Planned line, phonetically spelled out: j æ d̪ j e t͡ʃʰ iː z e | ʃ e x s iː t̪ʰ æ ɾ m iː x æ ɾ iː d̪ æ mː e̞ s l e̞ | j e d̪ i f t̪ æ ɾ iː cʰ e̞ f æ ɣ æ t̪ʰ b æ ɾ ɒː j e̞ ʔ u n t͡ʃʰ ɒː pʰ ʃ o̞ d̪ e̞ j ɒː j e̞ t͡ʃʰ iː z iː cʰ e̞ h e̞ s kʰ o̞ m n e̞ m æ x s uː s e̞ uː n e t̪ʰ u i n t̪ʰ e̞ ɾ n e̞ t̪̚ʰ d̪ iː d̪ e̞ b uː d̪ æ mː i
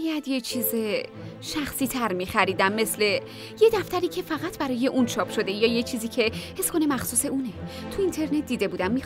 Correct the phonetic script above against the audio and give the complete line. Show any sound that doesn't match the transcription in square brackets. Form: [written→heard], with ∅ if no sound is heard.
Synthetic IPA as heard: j æ d̪ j e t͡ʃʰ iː z e | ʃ [e→æ] x s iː t̪ʰ æ ɾ m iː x æ ɾ iː d̪ æ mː e̞ s l e̞ | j e d̪ [i→æ] f t̪ æ ɾ iː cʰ e̞ f æ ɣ æ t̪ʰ b æ ɾ ɒː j e̞ ʔ u n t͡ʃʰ ɒː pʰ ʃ o̞ d̪ e̞ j ɒː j e̞ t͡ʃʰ iː z iː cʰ e̞ h e̞ s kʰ o̞ [m→∅] n e̞ m æ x s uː s e̞ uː n e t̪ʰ u i n t̪ʰ e̞ ɾ n e̞ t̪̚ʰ d̪ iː d̪ e̞ b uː d̪ æ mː i

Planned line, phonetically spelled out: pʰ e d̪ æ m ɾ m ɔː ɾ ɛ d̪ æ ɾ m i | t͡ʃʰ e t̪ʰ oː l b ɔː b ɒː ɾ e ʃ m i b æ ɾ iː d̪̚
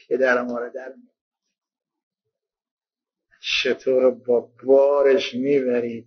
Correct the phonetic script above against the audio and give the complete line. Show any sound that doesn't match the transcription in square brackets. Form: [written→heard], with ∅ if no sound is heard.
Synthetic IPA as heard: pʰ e d̪ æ [m→∅] ɾ m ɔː ɾ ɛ d̪ æ ɾ m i | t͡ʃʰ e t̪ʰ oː [l→ɾ] b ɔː b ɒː ɾ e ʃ m i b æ ɾ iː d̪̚

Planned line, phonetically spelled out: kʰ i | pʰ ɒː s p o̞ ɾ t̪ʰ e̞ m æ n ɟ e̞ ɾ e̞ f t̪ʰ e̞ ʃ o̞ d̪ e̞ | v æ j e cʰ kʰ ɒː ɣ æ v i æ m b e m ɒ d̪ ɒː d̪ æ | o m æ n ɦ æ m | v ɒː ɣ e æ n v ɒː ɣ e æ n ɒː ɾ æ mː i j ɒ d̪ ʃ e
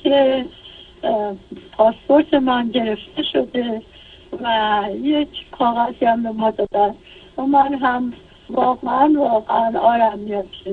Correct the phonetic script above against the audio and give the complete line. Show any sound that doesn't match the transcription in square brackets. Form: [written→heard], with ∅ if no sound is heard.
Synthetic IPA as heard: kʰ [i→e] | pʰ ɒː s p o̞ ɾ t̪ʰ e̞ m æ n ɟ e̞ ɾ e̞ f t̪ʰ e̞ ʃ o̞ d̪ e̞ | v æ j e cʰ kʰ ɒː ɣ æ [v→z] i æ m b e m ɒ d̪ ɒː d̪ æ | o m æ n ɦ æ m | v ɒː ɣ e æ n v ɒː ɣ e æ n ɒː ɾ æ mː i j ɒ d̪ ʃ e

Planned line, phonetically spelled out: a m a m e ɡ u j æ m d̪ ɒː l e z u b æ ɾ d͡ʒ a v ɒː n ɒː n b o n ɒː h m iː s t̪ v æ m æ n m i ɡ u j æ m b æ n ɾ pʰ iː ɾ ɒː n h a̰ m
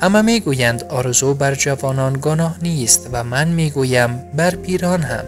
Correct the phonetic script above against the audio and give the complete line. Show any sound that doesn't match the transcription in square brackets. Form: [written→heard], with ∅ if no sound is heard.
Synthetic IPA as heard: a m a m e ɡ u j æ [m→n] d̪ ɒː [l→ɾ] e z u b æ ɾ d͡ʒ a v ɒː n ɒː n [b→ɡ] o n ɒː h [m→n] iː s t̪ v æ m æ n m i ɡ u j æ m b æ [n→∅] ɾ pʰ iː ɾ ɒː n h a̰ m

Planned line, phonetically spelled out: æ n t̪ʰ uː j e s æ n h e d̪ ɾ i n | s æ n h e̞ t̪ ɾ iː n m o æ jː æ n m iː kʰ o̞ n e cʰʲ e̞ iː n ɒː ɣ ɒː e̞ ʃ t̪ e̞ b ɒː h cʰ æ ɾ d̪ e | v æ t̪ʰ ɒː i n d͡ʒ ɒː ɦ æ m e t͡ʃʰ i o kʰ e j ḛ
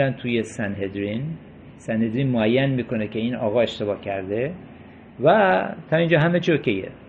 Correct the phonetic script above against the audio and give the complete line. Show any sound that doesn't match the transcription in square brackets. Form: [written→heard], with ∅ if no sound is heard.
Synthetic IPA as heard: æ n t̪ʰ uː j e s æ n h e d̪ ɾ i n | s æ n h e̞ [t̪→d̪] ɾ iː n m o æ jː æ n m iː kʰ o̞ n e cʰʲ e̞ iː n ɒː ɣ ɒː e̞ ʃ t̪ e̞ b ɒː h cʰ æ ɾ d̪ e | v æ t̪ʰ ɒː i n d͡ʒ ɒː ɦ æ m e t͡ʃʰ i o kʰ e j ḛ

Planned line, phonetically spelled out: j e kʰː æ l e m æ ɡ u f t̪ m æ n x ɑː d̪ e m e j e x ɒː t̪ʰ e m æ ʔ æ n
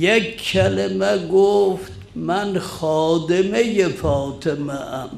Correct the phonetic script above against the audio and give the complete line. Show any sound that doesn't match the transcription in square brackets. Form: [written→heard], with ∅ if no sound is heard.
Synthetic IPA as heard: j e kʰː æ l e m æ ɡ [u→o] f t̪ m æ n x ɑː d̪ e m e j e [x→f] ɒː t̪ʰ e m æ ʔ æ [n→m]

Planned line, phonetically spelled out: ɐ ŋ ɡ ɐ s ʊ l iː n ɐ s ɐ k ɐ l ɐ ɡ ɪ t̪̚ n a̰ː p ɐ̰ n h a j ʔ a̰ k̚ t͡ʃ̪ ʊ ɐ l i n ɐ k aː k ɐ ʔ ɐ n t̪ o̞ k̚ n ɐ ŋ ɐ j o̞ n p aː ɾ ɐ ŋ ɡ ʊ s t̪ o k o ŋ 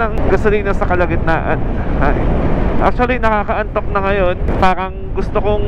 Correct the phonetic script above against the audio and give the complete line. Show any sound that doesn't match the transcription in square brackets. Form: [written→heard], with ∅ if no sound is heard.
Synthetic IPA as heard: ɐ ŋ ɡ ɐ s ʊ l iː n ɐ s ɐ k ɐ l ɐ ɡ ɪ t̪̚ n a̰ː [p→ʔ] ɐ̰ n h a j ʔ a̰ k̚ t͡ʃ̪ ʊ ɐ l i n ɐ k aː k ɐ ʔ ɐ n t̪ o̞ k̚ n ɐ ŋ ɐ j o̞ n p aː ɾ ɐ ŋ ɡ ʊ s t̪ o k o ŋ

